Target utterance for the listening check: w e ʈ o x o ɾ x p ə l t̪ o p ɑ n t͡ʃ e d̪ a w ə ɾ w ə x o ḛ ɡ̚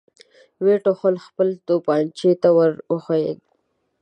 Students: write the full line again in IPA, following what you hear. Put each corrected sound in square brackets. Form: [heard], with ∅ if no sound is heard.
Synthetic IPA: w e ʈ o x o [l] x p ə l t̪ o p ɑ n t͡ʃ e [t̪] a w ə ɾ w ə x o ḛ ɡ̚